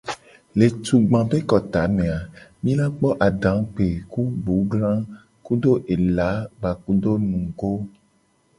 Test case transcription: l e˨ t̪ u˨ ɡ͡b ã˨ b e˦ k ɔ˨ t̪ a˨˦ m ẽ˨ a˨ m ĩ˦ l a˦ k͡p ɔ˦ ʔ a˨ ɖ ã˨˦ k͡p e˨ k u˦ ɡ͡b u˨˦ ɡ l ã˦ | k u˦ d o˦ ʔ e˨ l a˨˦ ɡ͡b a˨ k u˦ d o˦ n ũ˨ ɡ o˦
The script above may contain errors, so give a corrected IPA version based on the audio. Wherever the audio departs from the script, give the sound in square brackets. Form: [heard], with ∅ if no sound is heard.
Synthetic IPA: l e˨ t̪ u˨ ɡ͡b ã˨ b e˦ k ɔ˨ t̪ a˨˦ m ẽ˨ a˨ m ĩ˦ l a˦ k͡p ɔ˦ ʔ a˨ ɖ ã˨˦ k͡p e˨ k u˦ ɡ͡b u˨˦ ɡ l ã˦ | k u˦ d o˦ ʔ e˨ l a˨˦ ɡ͡b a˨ k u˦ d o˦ n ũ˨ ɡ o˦